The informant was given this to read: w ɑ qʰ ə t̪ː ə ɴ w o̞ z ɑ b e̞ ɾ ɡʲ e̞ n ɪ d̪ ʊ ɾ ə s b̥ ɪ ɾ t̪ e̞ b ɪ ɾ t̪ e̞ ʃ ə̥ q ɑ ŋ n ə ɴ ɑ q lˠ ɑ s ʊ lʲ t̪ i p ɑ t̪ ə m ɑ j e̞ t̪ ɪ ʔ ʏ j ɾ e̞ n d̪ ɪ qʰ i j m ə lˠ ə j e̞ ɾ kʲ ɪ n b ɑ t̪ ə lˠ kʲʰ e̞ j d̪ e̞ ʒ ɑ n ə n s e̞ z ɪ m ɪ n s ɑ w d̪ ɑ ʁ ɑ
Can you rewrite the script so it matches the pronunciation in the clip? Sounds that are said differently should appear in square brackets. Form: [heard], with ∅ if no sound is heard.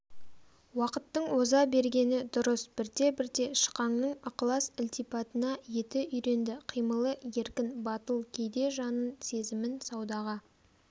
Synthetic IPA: w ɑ [q] ə t̪ː ə ɴ w o̞ z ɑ b e̞ ɾ ɡʲ e̞ n ɪ d̪ ʊ ɾ ə s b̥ ɪ ɾ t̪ e̞ b ɪ ɾ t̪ e̞ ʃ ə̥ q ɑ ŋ n ə ɴ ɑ q lˠ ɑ s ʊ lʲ t̪ i p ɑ t̪ ə [n] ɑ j e̞ t̪ ɪ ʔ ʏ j ɾ e̞ n d̪ ɪ qʰ i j m ə lˠ ə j e̞ ɾ kʲ ɪ n b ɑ t̪ ə lˠ kʲʰ e̞ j d̪ e̞ ʒ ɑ n ə n s e̞ z ɪ m ɪ n s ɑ w d̪ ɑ ʁ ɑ

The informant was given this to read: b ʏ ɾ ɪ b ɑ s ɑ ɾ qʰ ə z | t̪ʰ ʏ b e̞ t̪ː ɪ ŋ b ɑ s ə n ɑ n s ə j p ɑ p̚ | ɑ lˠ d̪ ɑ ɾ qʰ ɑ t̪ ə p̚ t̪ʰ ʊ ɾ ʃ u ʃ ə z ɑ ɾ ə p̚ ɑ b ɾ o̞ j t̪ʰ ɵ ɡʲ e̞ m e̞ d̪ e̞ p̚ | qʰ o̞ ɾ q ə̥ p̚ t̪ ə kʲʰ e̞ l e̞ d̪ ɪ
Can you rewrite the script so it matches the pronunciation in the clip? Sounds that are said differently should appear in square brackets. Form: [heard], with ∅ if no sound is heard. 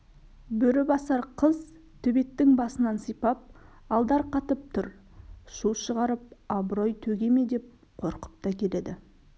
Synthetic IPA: b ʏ ɾ ɪ b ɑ s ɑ ɾ qʰ ə z | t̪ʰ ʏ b e̞ t̪ː ɪ ŋ b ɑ s ə n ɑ n s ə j p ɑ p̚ | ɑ lˠ d̪ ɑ ɾ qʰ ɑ t̪ ə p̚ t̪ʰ ʊ ɾ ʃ u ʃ ə [ʁ] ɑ ɾ ə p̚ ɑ b ɾ o̞ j t̪ʰ ɵ ɡʲ e̞ m e̞ d̪ e̞ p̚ | qʰ o̞ ɾ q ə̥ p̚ t̪ [ɑ] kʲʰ e̞ l e̞ d̪ ɪ

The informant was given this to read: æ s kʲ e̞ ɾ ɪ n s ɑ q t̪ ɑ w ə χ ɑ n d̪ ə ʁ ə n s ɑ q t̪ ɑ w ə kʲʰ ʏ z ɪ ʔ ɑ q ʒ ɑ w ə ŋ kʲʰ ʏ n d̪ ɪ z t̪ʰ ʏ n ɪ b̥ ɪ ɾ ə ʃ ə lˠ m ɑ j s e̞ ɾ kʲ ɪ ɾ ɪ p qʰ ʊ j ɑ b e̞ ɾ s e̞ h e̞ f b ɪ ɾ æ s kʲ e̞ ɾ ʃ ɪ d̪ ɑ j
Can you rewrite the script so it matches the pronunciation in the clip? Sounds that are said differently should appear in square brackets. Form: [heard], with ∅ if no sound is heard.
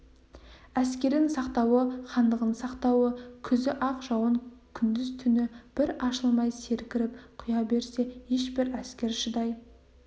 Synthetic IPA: æ s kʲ e̞ ɾ ɪ n s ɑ q t̪ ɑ w ə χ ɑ n d̪ ə ʁ ə n s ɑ q t̪ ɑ w ə kʲʰ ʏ z ɪ ʔ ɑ q ʒ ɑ w ə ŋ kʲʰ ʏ n d̪ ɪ z t̪ʰ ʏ n ɪ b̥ ɪ ɾ [ɑ] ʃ ə lˠ m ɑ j s e̞ ɾ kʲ ɪ ɾ ɪ p qʰ ʊ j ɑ b e̞ ɾ s e̞ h e̞ [ʃ] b ɪ ɾ æ s kʲ e̞ ɾ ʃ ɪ d̪ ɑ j

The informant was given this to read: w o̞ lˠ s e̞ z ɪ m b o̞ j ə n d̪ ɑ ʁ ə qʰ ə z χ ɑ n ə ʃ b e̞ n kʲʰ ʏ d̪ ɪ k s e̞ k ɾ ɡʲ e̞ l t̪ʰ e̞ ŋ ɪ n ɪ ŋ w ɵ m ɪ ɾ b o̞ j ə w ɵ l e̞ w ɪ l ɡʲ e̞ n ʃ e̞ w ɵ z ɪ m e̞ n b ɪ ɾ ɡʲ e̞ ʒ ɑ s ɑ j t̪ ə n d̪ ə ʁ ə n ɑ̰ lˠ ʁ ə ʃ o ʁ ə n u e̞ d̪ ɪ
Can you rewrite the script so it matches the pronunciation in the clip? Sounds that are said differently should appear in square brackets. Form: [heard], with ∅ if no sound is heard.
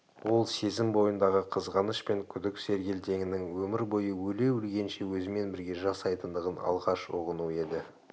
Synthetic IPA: w o̞ lˠ s e̞ z ɪ m b o̞ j ə n d̪ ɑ ʁ ə qʰ ə z [ʁ] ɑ n ə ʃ [p] e̞ [ŋ] kʲʰ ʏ d̪ ɪ k s e̞ [∅] ɾ ɡʲ e̞ l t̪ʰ e̞ ŋ ɪ n ɪ ŋ w ɵ m ɪ ɾ b o̞ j ə w ɵ l e̞ w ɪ l ɡʲ e̞ n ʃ e̞ w ɵ z ɪ m e̞ n b ɪ ɾ ɡʲ e̞ ʒ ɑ s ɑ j t̪ ə n d̪ ə ʁ ə n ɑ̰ lˠ ʁ [ɑ] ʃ o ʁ ə n u e̞ d̪ ɪ

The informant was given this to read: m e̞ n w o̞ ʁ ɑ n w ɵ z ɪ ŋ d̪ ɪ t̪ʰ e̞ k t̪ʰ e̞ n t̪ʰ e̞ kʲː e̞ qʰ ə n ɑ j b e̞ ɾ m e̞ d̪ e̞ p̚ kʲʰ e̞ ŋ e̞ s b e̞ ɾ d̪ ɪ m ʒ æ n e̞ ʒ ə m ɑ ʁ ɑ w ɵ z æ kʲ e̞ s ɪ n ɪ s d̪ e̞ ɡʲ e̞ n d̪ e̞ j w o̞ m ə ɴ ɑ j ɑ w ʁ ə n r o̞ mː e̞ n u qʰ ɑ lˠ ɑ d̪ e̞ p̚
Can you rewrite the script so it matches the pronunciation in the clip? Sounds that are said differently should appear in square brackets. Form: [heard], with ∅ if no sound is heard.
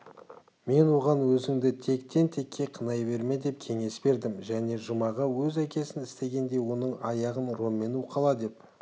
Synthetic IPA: m e̞ n w o̞ ʁ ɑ n w ɵ z ɪ ŋ d̪ ɪ t̪ʰ e̞ k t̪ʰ e̞ n t̪ʰ e̞ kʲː e̞ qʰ ə n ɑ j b e̞ ɾ m e̞ d̪ e̞ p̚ kʲʰ e̞ ŋ e̞ s b e̞ ɾ d̪ ɪ m ʒ æ n e̞ ʒ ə m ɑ ʁ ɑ w ɵ z æ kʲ e̞ s ɪ n ɪ s [t̪] e̞ ɡʲ e̞ n d̪ e̞ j w o̞ [n] ə ɴ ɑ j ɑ [∅] ʁ ə n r o̞ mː e̞ n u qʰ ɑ lˠ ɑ d̪ e̞ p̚

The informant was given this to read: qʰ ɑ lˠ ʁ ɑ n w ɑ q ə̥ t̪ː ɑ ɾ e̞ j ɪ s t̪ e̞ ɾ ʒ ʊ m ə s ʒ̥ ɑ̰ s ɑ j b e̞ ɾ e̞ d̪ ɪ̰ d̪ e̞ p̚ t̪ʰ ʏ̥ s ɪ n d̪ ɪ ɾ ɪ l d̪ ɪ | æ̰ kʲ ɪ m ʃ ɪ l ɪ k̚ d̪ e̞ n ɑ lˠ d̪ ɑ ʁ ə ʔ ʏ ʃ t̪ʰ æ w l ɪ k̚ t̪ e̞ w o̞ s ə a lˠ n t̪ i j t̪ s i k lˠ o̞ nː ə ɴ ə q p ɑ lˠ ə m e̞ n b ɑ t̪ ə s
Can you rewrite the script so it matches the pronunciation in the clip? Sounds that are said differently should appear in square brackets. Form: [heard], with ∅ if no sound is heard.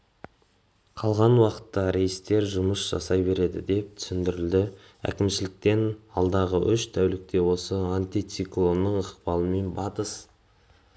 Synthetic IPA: qʰ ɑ lˠ ʁ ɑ n w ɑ q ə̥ t̪ː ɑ ɾ e̞ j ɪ s t̪ e̞ ɾ ʒ ʊ m ə s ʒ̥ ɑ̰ s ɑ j b e̞ ɾ e̞ d̪ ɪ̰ d̪ e̞ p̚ t̪ʰ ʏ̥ s ɪ n d̪ ɪ ɾ ɪ l d̪ ɪ | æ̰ kʲ ɪ m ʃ ɪ l ɪ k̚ [t̪] e̞ n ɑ lˠ d̪ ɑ ʁ ə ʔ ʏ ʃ t̪ʰ æ w l ɪ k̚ t̪ e̞ w o̞ s ə a [∅] n t̪ i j t̪ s i k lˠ o̞ nː ə ɴ ə q p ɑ lˠ ə m e̞ n b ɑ t̪ ə s

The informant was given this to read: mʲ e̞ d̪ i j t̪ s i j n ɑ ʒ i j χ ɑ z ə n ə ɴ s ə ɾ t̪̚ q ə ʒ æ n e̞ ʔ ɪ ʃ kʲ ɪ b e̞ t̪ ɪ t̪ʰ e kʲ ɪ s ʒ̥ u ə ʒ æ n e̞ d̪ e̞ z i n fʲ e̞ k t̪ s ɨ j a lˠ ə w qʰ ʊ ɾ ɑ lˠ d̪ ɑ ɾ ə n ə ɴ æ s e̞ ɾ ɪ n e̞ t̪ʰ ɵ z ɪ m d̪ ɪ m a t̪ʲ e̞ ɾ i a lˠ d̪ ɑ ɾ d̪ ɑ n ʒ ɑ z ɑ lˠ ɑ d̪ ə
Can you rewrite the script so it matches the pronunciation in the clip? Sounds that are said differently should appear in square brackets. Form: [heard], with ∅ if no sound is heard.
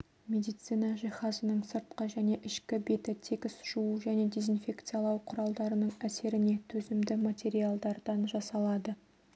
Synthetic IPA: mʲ e̞ d̪ i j t̪ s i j n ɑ ʒ i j χ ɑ z ə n ə ɴ s ə ɾ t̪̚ q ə ʒ æ n e̞ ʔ ɪ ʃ kʲ ɪ b e̞ t̪ ɪ t̪ʰ e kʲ ɪ s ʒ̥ u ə ʒ æ n e̞ d̪ e̞ z i n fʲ e̞ k t̪ s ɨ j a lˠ [ɑ] w qʰ ʊ ɾ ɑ lˠ d̪ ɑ ɾ ə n ə ɴ æ s e̞ ɾ ɪ n e̞ t̪ʰ ɵ z ɪ m d̪ ɪ m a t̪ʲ e̞ ɾ i a lˠ d̪ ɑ ɾ d̪ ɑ n ʒ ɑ [s] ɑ lˠ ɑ d̪ ə

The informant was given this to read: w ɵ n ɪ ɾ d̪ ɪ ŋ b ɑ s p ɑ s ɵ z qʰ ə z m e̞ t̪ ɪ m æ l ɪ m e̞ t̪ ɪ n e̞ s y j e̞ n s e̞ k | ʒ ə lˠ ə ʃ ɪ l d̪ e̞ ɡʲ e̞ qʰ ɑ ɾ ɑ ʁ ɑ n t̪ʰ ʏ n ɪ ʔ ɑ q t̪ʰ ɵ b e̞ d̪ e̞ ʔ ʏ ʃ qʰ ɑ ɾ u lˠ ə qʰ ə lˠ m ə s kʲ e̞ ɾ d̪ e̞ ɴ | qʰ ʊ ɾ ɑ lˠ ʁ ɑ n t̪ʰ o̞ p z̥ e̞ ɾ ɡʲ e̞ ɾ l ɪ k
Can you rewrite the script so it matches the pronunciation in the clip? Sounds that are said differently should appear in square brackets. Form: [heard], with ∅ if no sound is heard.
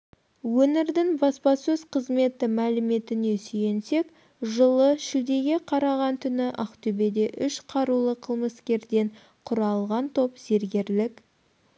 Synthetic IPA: w ɵ n ɪ ɾ d̪ ɪ ŋ b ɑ s p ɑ s ɵ z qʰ ə z m e̞ t̪ ɪ m æ l ɪ m e̞ t̪ ɪ n e̞ s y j e̞ n s e̞ k | ʒ ə lˠ ə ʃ ɪ l d̪ e̞ ɡʲ e̞ qʰ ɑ ɾ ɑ ʁ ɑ n t̪ʰ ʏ n ɪ ʔ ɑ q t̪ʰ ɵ b e̞ d̪ e̞ ʔ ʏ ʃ qʰ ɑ ɾ u lˠ ə qʰ ə lˠ m ə s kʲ e̞ ɾ d̪ e̞ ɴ | qʰ ʊ ɾ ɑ lˠ ʁ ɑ n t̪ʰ o̞ p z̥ e̞ ɾ ɡʲ e̞ ɾ l ɪ k

